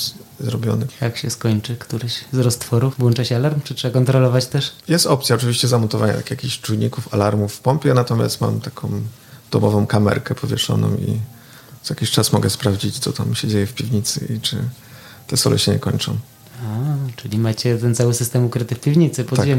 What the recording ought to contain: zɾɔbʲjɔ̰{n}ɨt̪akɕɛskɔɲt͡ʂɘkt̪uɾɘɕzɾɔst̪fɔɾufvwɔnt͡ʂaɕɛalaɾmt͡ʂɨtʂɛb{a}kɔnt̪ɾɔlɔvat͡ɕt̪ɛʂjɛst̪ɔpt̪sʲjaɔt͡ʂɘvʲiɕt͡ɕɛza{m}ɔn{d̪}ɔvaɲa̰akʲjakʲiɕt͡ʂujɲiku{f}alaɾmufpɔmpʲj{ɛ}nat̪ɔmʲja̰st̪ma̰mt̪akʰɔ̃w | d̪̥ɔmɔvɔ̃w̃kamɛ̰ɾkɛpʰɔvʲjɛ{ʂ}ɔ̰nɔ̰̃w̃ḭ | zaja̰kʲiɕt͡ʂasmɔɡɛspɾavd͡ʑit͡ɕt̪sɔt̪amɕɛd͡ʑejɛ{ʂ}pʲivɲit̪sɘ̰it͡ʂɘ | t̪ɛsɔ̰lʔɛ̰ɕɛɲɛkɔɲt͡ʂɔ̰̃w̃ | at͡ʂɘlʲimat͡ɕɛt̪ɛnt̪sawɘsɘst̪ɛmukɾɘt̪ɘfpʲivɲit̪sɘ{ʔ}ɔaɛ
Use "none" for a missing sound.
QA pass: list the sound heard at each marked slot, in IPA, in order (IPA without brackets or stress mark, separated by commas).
n, a, m, t̪, f, ɛ, ʂ, f, p